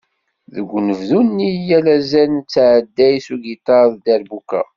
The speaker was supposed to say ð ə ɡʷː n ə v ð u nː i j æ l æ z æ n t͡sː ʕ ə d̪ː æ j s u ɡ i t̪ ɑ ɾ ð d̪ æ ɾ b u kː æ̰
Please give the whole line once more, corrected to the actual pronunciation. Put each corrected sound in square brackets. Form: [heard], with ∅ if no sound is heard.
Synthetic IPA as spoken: ð ə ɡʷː n ə v ð u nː i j æ l æ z æ n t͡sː ʕ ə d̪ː æ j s u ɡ i t̪ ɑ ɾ ð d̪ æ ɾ b u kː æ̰